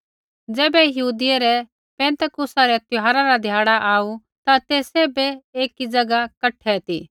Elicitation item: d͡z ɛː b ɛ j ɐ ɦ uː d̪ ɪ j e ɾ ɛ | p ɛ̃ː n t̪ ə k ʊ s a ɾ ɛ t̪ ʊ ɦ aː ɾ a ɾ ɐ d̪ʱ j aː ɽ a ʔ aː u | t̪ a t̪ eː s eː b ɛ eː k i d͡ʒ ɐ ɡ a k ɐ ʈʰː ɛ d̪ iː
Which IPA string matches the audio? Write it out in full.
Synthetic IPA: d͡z ɛː b ɛ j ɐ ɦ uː d̪ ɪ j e ɾ ɛ | p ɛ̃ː n t̪ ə k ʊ s a ɾ ɛ t̪ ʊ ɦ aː ɾ a ɾ a d̪ʱ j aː ɽ a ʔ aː u | t̪ a t̪ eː s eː b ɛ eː k i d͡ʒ ɐ ɡ a k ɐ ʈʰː ɛ t̪ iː